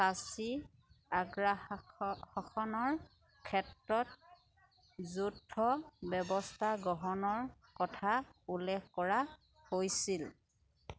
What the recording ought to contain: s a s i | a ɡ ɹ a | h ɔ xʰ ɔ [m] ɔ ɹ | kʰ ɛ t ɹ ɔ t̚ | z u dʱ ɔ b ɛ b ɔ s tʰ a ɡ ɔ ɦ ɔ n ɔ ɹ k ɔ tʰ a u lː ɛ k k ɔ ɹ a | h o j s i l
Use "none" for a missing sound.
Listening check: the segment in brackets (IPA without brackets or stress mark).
n